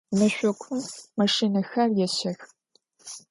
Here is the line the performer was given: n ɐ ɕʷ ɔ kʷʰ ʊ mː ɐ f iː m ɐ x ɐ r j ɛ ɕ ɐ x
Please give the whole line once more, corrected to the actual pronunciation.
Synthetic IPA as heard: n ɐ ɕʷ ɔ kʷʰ ʊ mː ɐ ʂ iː n ɐ x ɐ r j ɛ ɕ ɐ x